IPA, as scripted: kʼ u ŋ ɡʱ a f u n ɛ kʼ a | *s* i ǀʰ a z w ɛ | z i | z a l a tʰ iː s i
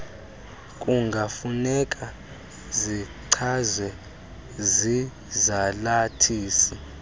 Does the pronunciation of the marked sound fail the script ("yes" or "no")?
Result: yes